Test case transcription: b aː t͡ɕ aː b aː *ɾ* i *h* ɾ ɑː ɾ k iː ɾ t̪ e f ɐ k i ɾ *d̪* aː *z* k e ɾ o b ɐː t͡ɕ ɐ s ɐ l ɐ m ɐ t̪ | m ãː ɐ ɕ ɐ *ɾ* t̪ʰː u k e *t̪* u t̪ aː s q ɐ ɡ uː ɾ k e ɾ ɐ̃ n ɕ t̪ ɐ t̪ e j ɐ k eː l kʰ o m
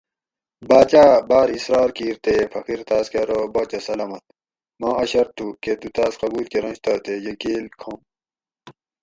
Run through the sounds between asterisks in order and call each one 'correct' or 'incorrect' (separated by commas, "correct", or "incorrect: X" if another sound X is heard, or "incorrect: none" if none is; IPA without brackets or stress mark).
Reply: correct, incorrect: s, incorrect: t̪, incorrect: s, correct, correct